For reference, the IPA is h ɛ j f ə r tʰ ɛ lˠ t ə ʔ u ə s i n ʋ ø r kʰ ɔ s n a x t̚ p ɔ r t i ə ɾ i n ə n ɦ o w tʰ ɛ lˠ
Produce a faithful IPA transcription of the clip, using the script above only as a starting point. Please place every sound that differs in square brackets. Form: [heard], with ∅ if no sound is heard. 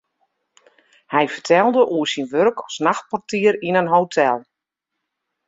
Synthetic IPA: h ɛ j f ə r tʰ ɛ lˠ [d] ə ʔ u ə s i n ʋ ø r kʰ ɔ s n a x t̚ p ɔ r t i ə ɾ i n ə n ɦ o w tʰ ɛ lˠ